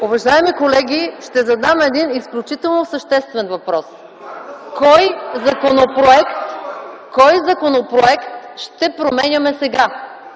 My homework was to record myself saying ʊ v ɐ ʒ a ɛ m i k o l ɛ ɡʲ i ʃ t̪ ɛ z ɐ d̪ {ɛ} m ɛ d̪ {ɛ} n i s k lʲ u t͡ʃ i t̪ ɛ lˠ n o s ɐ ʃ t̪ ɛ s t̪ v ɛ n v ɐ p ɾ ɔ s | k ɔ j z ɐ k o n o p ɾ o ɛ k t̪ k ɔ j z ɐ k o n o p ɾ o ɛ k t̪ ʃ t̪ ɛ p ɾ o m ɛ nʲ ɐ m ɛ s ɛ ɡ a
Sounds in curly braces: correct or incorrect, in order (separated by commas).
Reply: incorrect, incorrect